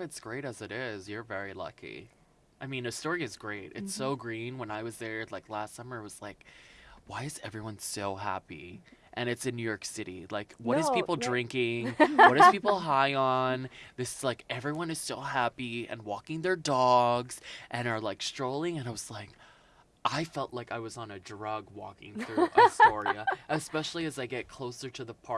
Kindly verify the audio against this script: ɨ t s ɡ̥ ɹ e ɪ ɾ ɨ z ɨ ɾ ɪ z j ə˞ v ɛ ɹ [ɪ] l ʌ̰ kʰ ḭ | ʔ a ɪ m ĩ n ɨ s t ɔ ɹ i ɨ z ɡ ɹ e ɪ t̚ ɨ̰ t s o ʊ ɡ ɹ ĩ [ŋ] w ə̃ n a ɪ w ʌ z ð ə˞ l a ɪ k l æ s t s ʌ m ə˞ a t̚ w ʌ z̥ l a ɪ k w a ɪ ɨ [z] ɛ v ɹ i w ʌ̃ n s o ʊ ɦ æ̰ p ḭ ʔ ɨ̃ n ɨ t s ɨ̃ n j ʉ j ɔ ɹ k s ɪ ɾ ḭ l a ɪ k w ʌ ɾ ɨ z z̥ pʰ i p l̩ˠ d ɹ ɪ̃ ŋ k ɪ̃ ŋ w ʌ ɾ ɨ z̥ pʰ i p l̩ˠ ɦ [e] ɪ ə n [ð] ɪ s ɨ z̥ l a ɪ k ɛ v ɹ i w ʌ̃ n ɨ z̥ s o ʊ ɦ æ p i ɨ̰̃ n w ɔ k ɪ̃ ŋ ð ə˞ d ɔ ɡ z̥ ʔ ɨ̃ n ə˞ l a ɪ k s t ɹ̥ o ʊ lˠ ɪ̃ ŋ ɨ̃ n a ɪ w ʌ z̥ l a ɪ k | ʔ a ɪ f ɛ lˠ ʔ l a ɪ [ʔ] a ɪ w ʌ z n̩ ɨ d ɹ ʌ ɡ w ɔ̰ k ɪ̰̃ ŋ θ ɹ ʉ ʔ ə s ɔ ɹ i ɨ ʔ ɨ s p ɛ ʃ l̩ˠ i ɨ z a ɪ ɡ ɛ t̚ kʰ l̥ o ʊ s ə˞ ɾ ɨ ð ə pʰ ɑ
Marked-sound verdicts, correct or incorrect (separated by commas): incorrect, incorrect, correct, incorrect, correct, incorrect